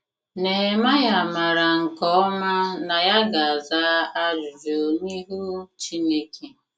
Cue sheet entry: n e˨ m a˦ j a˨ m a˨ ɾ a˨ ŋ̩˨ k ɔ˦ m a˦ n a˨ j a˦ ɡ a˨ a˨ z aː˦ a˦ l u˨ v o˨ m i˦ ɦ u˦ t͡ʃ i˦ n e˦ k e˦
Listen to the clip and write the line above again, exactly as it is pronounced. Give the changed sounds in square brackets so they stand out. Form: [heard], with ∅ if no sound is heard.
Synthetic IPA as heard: n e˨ m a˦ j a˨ m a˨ ɾ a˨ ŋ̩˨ k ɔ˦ m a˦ n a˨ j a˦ ɡ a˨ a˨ z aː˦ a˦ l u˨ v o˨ [n] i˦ ɦ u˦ t͡ʃ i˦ n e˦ k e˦